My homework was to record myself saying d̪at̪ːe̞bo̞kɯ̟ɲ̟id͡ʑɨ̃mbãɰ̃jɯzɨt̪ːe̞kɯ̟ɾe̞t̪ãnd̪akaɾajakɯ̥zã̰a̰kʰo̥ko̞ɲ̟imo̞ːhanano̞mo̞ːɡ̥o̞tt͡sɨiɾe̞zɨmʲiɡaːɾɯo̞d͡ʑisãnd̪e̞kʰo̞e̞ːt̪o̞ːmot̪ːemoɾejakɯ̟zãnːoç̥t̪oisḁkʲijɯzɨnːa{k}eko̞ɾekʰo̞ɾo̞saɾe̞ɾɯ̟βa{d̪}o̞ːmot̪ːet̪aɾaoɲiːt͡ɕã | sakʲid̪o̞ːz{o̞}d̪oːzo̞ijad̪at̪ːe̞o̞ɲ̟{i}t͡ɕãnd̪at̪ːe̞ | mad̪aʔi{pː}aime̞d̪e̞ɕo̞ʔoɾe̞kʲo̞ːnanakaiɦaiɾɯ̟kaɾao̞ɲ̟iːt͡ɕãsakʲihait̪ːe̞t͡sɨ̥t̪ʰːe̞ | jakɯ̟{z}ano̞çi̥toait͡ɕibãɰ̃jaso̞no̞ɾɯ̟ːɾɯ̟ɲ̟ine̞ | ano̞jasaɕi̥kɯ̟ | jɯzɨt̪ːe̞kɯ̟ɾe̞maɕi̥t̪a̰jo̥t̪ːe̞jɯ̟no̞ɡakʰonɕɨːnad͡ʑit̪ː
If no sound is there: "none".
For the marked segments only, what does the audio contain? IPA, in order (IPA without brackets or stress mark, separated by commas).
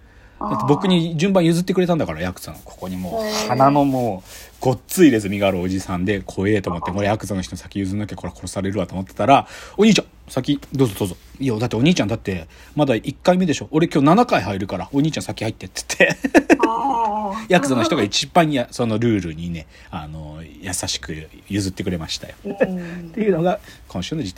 k, t̪, o̞, iː, kː, z